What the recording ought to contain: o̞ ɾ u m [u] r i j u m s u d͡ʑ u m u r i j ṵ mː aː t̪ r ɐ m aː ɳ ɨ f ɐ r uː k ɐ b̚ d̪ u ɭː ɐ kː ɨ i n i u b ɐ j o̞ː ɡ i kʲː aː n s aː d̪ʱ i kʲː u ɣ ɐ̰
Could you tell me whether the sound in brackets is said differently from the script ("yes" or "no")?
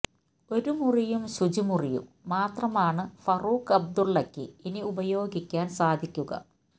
no